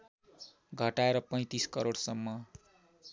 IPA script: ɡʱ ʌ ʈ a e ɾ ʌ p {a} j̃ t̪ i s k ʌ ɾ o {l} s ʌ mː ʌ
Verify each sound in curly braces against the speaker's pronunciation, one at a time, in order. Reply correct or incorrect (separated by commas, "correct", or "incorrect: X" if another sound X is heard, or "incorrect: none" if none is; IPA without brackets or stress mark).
incorrect: ʌ, incorrect: ɽ